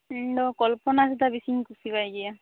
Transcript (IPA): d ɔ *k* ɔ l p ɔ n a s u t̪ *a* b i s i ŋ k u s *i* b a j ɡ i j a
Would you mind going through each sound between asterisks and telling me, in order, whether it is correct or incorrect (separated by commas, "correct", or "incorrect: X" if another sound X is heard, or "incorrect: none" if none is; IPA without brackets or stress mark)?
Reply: correct, correct, correct